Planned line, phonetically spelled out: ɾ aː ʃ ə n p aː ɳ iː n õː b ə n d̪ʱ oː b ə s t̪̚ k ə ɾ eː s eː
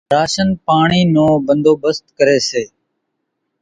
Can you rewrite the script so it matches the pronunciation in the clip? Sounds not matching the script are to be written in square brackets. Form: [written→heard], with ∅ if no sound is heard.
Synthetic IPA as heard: ɾ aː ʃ ə n p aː ɳ iː n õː b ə n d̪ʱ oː b ə s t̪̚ k ə ɾ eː s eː